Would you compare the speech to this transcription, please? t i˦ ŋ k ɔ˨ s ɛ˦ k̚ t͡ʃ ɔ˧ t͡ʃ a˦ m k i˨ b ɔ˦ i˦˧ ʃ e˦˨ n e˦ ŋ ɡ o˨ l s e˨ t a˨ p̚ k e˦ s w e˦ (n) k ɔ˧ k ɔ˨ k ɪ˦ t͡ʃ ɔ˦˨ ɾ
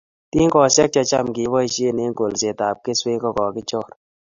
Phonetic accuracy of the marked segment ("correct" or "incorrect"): incorrect